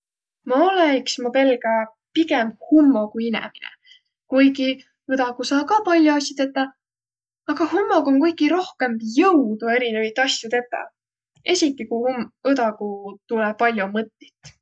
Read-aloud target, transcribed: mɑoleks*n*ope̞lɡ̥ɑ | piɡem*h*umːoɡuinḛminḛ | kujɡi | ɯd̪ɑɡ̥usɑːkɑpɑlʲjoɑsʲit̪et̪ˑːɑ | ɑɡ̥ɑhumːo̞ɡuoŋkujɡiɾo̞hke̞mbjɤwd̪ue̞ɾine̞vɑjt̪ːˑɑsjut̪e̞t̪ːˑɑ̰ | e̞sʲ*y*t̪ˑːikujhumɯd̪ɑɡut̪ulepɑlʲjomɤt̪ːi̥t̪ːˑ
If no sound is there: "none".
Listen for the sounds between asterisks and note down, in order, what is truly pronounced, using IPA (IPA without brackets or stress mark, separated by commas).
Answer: m, h, i